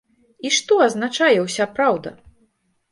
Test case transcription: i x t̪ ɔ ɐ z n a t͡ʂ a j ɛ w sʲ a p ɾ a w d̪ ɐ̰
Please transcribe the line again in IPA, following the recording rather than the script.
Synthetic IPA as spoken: i ʂ t̪ ɔ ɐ z n a t͡ʂ a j ɛ w sʲ a p ɾ a w d̪ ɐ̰